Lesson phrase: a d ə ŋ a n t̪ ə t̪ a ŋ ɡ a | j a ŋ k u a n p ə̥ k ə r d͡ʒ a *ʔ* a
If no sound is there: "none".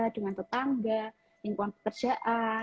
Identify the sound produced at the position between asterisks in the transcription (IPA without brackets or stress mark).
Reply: ʔ